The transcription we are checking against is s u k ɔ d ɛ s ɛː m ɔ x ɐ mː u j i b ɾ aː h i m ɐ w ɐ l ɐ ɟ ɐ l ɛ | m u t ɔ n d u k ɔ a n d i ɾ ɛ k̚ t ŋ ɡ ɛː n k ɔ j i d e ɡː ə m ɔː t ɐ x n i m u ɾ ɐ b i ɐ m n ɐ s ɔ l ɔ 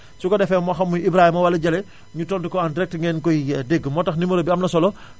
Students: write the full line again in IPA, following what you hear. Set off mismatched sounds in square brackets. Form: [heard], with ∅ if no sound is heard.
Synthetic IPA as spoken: s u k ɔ d ɛ [f] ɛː m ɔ x ɐ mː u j i b ɾ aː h i m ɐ w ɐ l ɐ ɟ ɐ l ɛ | [ɲ] u t ɔ n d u k ɔ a n d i ɾ ɛ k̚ t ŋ ɡ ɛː n k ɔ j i d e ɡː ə m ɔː t ɐ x n i m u ɾ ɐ b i ɐ m n ɐ s ɔ l ɔ